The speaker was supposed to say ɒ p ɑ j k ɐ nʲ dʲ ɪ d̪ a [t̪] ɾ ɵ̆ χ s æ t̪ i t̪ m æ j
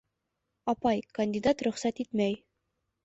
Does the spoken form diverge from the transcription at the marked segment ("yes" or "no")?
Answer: no